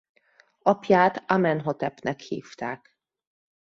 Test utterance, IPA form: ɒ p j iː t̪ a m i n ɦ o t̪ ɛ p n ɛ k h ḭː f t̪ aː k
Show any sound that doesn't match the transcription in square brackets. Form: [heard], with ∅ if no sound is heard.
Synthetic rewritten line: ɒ p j [aː] t̪ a m [ɛ] n ɦ o t̪ ɛ p n ɛ k h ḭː f t̪ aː k